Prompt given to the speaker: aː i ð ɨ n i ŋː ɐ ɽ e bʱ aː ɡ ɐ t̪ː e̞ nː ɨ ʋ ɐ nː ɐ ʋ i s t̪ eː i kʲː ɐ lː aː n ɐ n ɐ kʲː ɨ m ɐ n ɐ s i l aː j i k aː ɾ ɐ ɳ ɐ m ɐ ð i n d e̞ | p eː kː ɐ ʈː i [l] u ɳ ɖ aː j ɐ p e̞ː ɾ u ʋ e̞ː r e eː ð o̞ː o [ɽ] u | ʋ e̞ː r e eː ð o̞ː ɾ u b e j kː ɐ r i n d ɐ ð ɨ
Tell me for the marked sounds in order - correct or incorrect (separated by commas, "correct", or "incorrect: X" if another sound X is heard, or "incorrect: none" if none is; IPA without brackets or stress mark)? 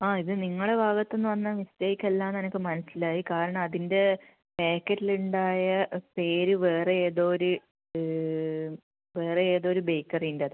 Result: correct, incorrect: ɾ